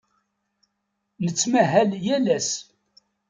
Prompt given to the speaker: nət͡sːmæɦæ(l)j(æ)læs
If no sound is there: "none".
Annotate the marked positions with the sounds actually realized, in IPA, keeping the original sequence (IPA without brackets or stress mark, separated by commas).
l, æ